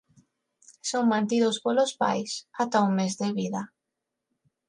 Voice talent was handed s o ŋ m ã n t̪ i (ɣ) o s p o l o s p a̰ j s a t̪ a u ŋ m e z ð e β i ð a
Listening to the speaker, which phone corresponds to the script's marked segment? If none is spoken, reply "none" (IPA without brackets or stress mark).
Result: ð